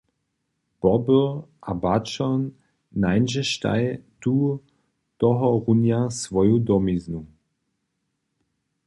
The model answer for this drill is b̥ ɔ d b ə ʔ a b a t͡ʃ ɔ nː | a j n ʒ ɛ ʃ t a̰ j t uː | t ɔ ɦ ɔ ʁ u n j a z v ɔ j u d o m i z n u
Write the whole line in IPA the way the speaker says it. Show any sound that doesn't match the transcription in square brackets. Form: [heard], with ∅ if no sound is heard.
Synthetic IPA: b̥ ɔ [∅] b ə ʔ a b a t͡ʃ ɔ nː | a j n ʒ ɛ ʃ t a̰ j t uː | t ɔ ɦ ɔ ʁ u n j a [s] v ɔ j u d [ɔ] m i z n u